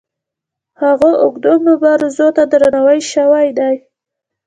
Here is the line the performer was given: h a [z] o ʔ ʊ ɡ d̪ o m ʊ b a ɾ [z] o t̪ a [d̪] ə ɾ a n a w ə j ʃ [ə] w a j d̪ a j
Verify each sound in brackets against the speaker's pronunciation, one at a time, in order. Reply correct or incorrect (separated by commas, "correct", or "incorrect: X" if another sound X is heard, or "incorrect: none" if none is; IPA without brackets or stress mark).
incorrect: ɣ, correct, correct, incorrect: a